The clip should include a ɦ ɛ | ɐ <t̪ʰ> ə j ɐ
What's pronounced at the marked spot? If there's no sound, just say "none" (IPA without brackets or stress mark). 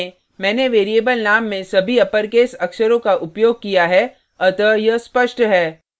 t̪